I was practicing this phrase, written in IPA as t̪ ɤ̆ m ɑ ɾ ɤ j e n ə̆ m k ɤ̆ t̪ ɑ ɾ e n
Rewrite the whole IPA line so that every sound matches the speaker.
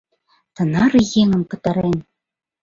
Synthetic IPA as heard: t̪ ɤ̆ n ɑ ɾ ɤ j e ŋ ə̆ m k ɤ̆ t̪ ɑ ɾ e n